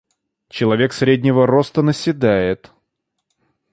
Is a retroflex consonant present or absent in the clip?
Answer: absent